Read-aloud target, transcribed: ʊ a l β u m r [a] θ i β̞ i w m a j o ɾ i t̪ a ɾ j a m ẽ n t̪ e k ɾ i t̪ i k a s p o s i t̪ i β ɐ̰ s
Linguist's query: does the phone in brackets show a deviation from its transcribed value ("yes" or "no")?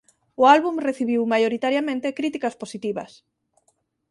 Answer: yes